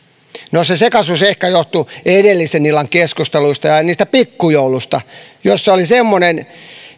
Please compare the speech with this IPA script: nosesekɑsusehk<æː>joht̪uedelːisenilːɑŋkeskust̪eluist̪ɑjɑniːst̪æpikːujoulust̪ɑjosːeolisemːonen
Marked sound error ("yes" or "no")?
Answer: yes